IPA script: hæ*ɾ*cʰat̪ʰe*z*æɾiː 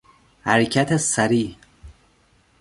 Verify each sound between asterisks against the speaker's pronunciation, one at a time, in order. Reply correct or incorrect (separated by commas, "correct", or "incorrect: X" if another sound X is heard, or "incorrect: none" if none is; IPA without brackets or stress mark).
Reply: correct, incorrect: s